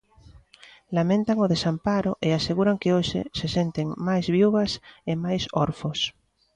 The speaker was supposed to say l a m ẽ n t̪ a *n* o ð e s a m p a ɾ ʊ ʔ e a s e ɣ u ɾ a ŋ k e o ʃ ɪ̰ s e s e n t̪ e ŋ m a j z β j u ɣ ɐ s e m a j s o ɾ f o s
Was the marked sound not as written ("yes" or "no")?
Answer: yes